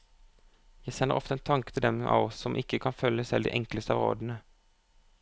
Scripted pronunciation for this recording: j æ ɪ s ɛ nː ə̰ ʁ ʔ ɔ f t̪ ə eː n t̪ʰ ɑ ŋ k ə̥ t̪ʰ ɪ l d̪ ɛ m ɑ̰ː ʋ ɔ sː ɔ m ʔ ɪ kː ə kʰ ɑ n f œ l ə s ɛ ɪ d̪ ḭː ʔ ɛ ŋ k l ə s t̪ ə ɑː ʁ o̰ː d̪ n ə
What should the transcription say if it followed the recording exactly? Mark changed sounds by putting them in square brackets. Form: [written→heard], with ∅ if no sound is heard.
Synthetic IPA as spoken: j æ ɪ s ɛ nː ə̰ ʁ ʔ ɔ f t̪ ə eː n t̪ʰ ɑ ŋ k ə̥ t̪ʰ ɪ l d̪ ɛ m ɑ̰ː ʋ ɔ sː ɔ m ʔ ɪ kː ə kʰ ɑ n f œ l ə s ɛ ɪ d̪ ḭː ʔ ɛ ŋ k l ə s t̪ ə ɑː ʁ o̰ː d̪ n ə